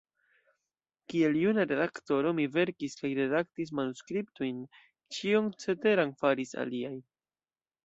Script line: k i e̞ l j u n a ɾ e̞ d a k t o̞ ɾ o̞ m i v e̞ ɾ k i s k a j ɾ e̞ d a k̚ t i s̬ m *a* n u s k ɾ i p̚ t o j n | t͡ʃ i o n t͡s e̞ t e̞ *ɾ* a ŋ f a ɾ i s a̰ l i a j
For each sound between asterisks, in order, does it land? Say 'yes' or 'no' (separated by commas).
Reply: yes, yes